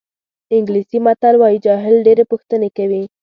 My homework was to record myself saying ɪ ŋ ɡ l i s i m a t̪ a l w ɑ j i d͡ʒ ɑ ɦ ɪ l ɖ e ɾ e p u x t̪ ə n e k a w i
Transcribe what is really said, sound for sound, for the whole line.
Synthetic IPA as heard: ɪ ŋ ɡ l i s i m a t̪ a l w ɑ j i d͡ʒ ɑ ɦ ɪ l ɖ e ɾ e p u x t̪ ə n e k a w i